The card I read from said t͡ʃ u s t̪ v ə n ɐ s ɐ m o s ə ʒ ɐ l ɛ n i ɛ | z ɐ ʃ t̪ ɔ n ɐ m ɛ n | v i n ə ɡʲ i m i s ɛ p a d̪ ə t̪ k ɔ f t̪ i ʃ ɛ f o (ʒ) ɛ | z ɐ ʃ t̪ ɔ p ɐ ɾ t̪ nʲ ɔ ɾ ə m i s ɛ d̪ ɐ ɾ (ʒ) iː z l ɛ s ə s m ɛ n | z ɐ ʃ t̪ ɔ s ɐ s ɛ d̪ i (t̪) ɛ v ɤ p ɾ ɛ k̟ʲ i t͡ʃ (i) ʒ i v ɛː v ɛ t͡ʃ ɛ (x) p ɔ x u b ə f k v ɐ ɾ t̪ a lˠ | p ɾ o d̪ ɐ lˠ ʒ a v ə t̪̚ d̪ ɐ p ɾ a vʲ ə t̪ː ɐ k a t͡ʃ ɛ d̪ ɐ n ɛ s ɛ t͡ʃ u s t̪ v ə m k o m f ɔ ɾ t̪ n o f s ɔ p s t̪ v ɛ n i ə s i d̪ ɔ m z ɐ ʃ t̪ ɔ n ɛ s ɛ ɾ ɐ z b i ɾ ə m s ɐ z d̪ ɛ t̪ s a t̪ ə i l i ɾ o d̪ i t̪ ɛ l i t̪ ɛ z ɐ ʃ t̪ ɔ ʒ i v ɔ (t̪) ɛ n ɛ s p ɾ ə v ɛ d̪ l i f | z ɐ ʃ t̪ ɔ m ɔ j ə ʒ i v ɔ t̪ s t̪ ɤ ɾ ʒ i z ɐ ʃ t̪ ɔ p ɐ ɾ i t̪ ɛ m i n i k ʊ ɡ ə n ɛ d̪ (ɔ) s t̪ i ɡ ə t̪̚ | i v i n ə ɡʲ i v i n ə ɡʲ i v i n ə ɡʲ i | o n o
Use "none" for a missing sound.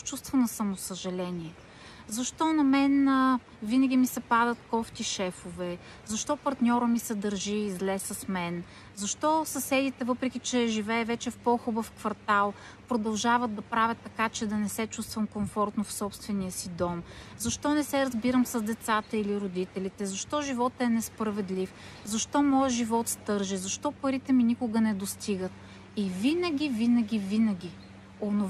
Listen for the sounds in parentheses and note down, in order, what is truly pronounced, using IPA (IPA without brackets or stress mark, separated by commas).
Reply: v, ʒ, t̪, ɛ, f, t̪, o